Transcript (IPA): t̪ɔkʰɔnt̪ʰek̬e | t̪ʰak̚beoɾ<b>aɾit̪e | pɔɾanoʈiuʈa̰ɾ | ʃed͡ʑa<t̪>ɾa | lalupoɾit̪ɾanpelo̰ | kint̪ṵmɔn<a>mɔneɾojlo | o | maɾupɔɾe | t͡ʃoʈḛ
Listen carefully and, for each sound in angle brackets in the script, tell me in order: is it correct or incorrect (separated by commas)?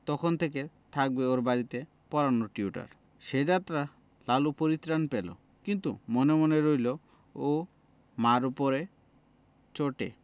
correct, correct, incorrect